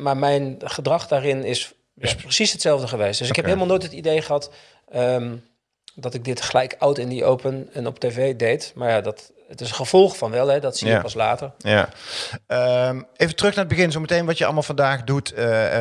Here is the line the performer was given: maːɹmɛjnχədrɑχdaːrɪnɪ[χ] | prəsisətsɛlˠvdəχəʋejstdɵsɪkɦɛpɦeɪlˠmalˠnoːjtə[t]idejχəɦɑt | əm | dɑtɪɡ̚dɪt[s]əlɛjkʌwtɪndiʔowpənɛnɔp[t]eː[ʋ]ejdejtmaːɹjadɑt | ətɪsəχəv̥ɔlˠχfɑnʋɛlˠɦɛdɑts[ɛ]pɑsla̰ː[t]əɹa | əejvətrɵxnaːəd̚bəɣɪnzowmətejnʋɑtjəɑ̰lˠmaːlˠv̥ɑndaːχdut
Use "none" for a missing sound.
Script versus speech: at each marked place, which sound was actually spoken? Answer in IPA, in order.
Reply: s, t, χ, t, v, i, t

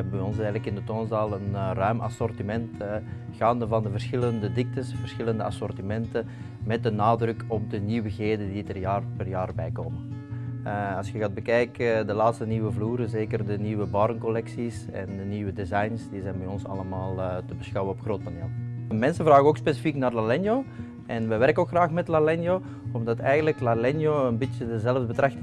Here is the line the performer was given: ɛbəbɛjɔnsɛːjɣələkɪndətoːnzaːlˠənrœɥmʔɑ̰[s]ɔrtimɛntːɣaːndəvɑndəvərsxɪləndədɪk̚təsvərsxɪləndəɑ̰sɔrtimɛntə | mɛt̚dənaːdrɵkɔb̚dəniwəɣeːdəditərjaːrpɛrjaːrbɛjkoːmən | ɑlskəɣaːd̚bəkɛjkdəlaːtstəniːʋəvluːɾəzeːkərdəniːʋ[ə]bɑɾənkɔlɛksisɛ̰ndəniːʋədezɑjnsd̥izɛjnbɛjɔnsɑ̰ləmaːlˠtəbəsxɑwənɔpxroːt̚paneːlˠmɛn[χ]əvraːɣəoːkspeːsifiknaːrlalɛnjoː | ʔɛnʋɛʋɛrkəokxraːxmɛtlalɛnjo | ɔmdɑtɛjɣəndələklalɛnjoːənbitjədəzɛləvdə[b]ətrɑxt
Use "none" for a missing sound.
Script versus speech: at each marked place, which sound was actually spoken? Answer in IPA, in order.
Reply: s, ə, s, b

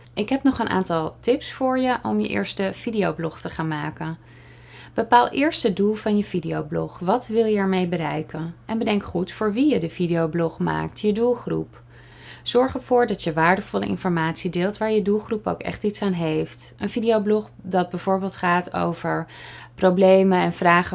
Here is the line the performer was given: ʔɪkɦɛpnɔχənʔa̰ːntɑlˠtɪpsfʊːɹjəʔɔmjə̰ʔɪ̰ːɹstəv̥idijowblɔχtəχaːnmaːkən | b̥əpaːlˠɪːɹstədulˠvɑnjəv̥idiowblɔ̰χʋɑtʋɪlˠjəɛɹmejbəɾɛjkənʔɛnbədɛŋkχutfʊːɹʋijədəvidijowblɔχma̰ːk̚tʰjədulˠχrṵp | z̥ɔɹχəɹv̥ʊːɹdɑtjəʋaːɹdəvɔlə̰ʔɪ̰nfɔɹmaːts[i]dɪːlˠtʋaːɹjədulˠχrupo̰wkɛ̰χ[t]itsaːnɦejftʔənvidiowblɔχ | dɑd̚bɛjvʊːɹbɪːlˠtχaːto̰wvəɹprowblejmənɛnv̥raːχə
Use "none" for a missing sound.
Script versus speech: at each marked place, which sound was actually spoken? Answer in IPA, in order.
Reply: i, t

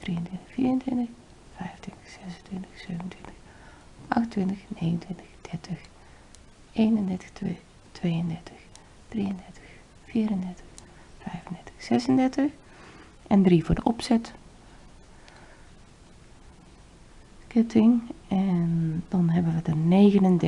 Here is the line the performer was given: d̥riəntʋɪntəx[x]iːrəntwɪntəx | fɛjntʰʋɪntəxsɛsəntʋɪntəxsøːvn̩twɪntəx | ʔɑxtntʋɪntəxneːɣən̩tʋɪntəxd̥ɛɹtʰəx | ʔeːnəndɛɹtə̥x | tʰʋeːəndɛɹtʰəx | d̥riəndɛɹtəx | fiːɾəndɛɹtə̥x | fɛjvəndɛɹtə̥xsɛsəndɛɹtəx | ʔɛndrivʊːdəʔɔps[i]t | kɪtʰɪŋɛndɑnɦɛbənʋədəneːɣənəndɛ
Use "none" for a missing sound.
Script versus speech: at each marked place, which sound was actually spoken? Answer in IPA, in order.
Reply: f, ɛ

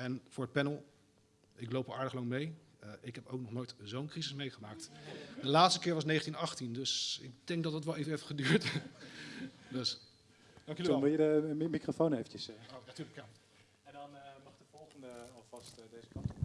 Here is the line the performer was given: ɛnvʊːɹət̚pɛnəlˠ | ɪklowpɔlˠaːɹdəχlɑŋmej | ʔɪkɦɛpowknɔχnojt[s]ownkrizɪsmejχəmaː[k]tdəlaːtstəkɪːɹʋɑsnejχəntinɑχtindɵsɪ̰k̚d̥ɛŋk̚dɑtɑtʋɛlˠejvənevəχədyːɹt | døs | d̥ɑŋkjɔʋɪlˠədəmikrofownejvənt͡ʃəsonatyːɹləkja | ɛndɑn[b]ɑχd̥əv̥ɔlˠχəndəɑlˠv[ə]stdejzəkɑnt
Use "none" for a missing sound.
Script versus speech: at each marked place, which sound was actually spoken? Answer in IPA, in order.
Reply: z, k, m, ɑ

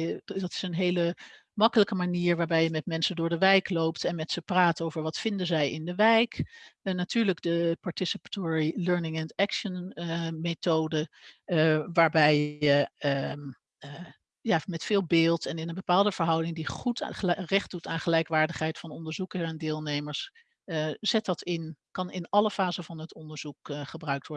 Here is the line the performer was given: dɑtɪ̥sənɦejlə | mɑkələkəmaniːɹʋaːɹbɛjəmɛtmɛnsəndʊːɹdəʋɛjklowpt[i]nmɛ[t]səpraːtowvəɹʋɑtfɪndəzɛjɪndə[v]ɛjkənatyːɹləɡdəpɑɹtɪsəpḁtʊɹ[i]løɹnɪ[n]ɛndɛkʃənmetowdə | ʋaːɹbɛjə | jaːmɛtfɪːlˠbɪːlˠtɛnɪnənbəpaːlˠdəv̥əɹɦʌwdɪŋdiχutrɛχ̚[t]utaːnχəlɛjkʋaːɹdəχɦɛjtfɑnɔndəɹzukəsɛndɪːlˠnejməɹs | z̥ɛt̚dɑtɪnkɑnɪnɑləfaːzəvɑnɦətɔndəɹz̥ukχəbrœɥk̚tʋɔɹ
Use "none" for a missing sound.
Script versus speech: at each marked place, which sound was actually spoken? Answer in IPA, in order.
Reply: ɛ, t, ʋ, i, ŋ, d

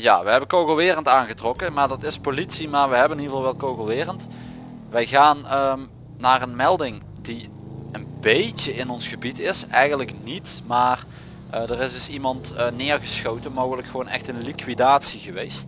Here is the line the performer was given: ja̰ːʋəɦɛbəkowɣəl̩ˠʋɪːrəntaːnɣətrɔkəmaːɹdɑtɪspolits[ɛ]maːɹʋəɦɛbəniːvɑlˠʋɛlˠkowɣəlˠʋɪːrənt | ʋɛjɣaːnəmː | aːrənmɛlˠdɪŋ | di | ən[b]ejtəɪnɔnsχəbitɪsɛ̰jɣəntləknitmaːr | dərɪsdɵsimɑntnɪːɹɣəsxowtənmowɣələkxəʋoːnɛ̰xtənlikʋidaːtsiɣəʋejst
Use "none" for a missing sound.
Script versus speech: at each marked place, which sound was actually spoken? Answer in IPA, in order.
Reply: i, b

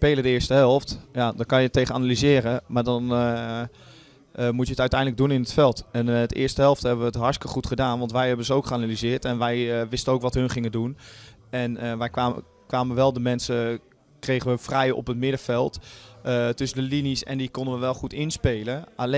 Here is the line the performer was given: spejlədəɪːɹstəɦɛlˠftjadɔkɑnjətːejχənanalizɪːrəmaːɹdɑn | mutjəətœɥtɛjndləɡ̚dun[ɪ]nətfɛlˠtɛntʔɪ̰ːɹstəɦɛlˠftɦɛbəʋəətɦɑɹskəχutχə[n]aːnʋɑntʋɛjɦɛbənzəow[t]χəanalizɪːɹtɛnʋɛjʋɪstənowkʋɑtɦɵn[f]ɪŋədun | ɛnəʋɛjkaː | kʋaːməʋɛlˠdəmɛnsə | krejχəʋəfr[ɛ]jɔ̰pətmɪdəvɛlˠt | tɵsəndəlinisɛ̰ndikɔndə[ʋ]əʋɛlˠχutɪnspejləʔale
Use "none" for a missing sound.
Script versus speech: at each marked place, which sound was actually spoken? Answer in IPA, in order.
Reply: ɪ, d, k, χ, ɛ, ʋ

